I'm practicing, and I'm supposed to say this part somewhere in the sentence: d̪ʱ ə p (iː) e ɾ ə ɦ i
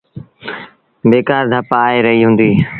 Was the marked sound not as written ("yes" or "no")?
yes